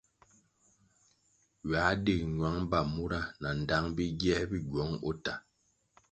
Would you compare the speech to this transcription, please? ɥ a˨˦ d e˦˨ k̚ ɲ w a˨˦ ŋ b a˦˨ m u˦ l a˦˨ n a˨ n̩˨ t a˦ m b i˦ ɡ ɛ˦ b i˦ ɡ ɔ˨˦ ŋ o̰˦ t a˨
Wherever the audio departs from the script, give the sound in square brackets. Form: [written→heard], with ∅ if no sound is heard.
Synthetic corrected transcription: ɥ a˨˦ d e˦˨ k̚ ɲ w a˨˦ ŋ b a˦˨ m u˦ [l→ɾ] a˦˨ n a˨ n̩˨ [t→d] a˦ [m→ŋ] b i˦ ɡ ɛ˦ b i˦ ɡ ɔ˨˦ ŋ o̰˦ t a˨

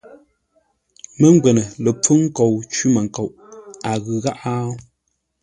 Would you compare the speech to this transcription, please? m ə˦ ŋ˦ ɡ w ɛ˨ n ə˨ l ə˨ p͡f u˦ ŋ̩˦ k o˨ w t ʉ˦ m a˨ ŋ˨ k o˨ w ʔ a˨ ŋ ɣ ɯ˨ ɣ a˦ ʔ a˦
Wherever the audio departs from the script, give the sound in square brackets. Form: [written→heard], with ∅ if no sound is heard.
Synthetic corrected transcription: m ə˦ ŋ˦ ɡ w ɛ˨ n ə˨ l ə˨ p͡f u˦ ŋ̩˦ k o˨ w [t→t͡ʃ] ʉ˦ m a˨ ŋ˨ k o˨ w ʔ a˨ [ŋ→∅] ɣ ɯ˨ ɣ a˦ ʔ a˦

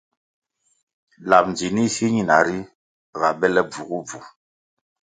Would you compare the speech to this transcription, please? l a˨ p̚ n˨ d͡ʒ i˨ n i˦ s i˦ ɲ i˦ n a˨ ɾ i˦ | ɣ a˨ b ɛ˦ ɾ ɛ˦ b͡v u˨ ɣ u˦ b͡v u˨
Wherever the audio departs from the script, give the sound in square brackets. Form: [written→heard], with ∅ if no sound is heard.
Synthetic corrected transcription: l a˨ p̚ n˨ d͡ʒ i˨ n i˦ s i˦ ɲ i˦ n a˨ ɾ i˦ | ɣ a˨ b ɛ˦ [ɾ→l] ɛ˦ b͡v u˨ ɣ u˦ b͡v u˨

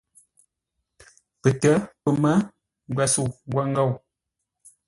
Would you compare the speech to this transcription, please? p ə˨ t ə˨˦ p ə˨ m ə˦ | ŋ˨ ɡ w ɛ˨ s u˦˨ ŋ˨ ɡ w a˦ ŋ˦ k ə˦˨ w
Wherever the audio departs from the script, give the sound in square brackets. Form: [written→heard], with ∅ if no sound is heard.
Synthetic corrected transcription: p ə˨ t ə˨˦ p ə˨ m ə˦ | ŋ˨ ɡ w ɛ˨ s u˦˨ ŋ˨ ɡ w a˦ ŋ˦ [k→ɡ] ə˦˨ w

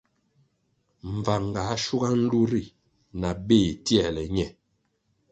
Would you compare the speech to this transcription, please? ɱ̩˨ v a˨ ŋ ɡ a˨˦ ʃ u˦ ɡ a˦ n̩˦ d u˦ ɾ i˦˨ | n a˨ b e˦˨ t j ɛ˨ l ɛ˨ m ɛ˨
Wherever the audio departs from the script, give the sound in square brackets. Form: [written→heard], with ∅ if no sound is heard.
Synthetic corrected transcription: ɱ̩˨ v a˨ ŋ ɡ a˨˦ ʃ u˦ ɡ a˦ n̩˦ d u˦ ɾ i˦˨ | n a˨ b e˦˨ t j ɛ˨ l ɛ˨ [m→ɲ] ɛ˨

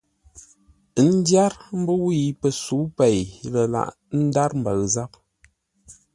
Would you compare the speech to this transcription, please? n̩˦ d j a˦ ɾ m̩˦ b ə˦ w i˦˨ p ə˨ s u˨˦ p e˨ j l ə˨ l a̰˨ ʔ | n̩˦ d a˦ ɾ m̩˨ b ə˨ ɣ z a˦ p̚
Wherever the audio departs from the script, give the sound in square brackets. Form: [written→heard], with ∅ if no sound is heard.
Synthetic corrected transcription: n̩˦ d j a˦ ɾ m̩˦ b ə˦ w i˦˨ p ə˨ s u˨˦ p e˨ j l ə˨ l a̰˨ ʔ | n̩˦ d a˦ ɾ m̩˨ b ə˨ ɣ z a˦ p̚

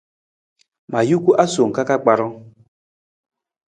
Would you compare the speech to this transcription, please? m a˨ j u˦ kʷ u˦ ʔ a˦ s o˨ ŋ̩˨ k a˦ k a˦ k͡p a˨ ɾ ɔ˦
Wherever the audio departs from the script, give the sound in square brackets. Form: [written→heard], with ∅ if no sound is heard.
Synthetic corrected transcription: m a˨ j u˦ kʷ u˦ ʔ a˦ s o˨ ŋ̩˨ k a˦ k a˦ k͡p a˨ ɾ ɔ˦

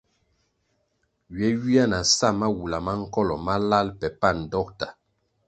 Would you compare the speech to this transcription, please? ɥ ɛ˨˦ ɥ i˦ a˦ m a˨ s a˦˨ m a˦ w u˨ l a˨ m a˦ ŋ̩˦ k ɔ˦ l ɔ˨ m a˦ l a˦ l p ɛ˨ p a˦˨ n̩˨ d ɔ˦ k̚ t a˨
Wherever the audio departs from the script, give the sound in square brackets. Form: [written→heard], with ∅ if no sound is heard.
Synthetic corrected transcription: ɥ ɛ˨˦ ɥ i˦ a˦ [m→n] a˨ s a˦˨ m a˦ w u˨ l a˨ m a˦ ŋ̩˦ k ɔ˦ l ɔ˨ m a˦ l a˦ l p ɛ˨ p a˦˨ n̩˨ d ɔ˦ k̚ t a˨

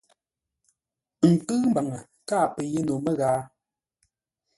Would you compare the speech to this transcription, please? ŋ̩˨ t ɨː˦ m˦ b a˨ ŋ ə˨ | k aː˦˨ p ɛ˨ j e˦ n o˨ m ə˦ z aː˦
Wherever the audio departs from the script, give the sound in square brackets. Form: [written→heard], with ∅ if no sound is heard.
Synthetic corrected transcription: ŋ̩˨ [t→k] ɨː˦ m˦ b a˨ ŋ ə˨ | k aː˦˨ p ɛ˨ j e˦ n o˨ m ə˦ [z→ɣ] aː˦

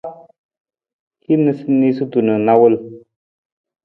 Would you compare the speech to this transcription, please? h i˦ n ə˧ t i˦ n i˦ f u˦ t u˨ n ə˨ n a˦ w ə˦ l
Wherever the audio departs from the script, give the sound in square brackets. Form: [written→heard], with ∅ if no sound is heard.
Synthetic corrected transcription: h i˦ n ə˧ [t→s] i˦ n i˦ [f→s] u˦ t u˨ n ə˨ n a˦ w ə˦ l

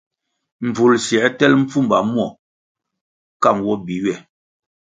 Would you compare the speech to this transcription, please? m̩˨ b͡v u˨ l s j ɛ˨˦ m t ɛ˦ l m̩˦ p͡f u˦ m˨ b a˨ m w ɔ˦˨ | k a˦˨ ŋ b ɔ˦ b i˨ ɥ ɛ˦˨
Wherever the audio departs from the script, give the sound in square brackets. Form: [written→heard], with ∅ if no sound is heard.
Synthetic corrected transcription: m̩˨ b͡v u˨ l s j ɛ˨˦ [m→∅] t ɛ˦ l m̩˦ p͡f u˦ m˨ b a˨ m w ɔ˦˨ | k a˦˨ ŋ [b→w] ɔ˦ b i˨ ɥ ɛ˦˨

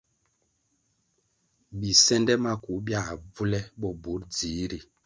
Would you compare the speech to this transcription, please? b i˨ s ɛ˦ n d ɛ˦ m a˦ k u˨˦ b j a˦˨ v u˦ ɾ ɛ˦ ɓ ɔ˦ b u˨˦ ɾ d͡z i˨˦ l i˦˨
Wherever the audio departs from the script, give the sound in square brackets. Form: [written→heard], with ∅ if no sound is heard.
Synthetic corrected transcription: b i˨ s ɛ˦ n d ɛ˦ m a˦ k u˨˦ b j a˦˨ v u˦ [ɾ→l] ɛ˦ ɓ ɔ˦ b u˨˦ ɾ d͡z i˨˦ [l→ɾ] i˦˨

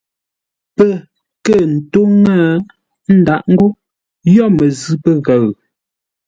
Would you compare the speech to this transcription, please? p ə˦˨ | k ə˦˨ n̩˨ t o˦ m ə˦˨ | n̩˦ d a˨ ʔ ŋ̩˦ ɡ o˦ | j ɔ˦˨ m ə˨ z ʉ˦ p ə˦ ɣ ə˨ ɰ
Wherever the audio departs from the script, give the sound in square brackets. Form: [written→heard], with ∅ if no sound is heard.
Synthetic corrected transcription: p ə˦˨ | k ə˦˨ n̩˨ t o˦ [m→ŋ] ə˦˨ | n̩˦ d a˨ ʔ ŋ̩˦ ɡ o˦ | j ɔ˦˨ m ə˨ z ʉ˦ p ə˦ ɣ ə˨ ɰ

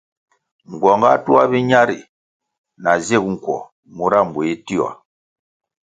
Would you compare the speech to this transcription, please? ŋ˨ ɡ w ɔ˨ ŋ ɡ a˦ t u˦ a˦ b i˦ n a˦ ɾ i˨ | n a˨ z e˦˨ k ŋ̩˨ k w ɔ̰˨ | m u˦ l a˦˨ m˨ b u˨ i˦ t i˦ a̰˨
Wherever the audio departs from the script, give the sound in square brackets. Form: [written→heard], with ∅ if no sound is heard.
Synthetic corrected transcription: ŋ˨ ɡ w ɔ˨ ŋ ɡ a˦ t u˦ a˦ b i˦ [n→ɲ] a˦ ɾ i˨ | n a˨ z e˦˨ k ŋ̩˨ k w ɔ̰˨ | m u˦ [l→ɾ] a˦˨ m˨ b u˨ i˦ t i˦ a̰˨

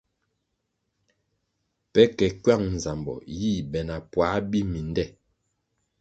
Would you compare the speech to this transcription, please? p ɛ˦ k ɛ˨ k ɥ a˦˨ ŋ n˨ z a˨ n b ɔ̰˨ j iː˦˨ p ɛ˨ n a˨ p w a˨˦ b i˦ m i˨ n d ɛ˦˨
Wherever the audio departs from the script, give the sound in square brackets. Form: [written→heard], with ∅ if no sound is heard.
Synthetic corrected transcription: p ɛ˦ k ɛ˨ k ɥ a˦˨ ŋ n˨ z a˨ [n→m] b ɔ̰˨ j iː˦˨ [p→b] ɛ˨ n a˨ p w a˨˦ b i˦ m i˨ n d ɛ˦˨

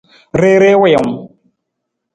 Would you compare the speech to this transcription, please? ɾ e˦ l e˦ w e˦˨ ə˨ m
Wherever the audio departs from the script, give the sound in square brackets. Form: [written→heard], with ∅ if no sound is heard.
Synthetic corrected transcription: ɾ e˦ [l→ɾ] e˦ w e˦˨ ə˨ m

